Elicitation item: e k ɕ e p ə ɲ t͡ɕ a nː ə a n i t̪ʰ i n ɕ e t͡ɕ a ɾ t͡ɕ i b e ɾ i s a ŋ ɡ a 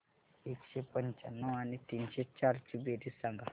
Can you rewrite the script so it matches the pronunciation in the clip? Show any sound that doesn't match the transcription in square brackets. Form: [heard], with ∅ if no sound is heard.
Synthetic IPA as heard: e k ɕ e p ə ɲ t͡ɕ a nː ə a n i [t̪] i n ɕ e t͡ɕ a ɾ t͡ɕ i b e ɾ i s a ŋ ɡ a